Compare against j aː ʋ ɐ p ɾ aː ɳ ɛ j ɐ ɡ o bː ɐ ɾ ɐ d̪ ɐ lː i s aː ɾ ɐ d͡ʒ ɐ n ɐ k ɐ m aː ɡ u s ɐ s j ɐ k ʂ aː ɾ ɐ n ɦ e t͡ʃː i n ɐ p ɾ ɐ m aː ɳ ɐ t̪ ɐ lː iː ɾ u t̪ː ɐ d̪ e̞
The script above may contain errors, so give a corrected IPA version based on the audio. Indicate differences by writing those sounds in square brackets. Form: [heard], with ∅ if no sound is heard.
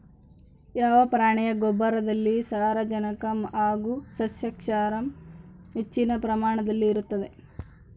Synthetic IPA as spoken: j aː ʋ ɐ p ɾ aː ɳ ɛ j ɐ ɡ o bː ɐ ɾ ɐ d̪ ɐ lː i s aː ɾ ɐ d͡ʒ ɐ n ɐ k ɐ m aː ɡ u s ɐ s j ɐ k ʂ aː ɾ ɐ [m] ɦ e t͡ʃː i n ɐ p ɾ ɐ m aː ɳ ɐ [d̪] ɐ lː iː ɾ u t̪ː ɐ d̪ e̞